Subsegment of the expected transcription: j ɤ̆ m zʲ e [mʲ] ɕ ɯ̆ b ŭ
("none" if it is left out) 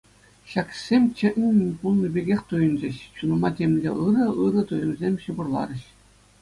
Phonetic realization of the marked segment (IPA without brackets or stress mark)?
mʲ